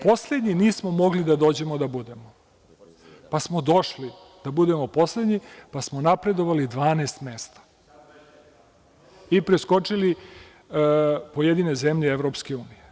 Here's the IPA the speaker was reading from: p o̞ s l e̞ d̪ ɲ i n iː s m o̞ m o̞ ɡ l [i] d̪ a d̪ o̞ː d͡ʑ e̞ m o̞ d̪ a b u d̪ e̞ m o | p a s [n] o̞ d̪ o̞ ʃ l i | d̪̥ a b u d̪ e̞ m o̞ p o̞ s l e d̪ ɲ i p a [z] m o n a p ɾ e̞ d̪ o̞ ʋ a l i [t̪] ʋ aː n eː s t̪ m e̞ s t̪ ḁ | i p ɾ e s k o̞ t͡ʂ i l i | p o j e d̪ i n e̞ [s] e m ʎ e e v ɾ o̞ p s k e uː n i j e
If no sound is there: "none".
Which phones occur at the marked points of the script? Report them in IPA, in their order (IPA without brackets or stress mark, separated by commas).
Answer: i, m, s, d̪, z